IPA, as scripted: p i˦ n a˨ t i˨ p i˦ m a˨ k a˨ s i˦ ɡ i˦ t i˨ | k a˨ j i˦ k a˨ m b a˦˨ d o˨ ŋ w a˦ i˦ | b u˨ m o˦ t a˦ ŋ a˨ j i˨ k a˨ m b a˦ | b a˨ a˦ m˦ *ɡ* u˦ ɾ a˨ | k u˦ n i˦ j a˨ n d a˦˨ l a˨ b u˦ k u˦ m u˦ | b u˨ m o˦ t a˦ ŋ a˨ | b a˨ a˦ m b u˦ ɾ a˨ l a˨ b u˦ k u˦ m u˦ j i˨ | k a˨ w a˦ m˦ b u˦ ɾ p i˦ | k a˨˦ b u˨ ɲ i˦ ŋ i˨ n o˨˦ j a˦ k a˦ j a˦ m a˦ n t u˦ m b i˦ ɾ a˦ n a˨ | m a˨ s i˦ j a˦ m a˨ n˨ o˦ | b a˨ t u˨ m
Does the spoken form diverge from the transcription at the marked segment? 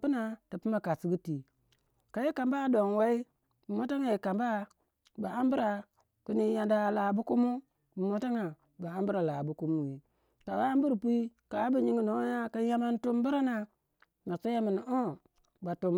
yes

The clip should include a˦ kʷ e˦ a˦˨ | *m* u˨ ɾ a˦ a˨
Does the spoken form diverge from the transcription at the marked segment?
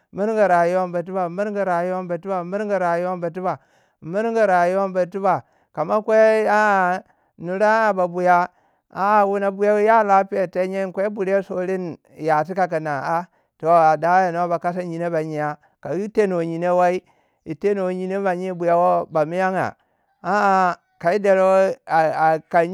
yes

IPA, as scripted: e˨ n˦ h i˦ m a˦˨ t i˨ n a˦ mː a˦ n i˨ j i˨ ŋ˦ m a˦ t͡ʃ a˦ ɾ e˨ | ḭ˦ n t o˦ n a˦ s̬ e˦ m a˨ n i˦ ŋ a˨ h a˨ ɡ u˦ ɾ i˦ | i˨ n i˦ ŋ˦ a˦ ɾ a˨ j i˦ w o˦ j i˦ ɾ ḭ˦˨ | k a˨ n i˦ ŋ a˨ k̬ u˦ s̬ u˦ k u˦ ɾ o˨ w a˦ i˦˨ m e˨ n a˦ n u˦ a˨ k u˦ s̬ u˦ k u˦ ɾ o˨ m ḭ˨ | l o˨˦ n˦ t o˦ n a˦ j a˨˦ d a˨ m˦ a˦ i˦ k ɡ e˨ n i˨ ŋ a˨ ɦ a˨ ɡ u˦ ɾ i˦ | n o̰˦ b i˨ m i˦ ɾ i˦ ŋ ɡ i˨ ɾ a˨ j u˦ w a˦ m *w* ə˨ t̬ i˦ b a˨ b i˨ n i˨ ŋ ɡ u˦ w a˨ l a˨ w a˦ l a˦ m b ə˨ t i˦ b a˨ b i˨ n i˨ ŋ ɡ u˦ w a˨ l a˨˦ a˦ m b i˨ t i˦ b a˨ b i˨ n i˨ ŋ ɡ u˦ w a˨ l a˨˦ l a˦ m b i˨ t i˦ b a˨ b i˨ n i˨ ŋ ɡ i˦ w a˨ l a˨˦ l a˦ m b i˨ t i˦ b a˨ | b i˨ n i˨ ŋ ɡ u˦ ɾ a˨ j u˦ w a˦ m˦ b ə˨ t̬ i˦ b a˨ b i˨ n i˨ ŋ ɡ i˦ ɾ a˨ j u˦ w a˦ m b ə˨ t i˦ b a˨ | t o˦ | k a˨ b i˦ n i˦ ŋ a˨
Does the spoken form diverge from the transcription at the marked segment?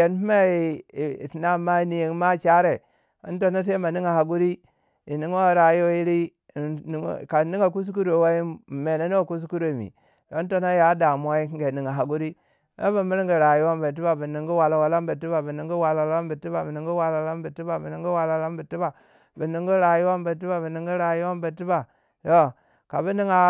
yes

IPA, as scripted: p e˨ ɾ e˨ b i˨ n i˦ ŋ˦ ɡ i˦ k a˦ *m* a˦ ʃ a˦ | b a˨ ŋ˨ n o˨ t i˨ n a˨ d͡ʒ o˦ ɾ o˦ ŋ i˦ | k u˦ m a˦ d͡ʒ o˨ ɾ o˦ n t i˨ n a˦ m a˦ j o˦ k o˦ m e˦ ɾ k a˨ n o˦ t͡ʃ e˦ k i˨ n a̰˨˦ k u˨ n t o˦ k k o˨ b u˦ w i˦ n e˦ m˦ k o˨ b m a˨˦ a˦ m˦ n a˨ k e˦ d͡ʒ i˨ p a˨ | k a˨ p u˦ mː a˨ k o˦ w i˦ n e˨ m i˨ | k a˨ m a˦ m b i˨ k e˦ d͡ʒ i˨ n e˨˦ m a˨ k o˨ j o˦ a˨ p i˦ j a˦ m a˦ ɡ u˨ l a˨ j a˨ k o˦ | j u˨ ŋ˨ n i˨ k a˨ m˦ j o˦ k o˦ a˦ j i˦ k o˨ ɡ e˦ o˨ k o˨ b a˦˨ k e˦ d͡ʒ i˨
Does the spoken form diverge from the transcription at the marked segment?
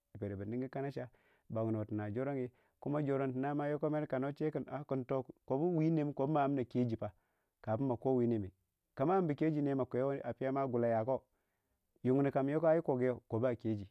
yes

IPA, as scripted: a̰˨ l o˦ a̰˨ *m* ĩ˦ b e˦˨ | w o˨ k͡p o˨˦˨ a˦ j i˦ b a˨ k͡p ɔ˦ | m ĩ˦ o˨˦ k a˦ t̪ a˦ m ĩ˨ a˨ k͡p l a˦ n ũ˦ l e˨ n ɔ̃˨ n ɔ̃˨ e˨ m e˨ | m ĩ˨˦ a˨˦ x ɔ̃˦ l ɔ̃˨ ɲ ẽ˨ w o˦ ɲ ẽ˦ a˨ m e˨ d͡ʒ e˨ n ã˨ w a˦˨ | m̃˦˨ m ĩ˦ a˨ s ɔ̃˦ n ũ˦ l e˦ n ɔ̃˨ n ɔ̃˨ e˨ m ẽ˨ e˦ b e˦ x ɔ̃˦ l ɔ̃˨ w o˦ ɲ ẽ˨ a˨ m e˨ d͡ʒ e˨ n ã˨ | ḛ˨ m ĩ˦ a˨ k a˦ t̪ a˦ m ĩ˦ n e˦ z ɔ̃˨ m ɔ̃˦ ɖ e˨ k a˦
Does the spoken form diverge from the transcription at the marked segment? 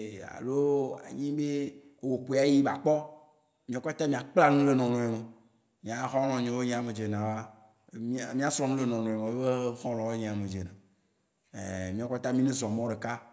yes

